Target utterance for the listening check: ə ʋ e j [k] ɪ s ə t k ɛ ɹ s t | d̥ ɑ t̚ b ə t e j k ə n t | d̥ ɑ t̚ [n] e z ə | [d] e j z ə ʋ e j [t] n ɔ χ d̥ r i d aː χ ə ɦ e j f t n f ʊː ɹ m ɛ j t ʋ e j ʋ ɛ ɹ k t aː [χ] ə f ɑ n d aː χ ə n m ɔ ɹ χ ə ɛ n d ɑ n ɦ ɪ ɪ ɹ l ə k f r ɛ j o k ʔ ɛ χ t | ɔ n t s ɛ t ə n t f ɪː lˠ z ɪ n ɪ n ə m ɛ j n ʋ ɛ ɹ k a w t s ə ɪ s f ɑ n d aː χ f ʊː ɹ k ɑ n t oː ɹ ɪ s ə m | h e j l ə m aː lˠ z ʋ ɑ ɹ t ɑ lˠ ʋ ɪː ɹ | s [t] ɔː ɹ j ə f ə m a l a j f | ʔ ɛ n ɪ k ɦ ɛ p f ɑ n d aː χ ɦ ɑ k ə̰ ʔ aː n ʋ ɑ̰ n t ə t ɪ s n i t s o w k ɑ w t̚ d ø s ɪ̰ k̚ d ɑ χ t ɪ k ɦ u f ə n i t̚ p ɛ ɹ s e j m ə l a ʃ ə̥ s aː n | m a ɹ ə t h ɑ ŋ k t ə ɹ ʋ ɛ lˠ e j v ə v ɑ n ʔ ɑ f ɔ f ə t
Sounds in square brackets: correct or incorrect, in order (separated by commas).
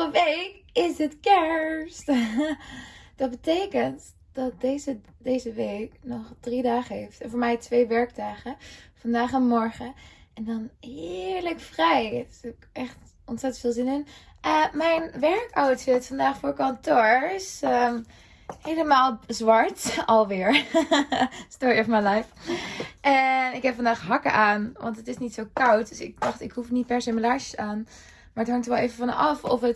correct, incorrect, correct, incorrect, correct, correct